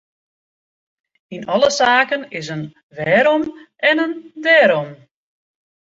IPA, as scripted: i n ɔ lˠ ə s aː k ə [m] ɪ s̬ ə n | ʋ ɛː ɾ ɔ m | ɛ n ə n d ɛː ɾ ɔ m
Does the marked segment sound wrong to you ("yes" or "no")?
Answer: yes